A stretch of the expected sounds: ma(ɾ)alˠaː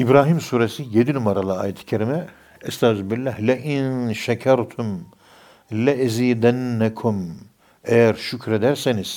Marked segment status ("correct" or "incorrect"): correct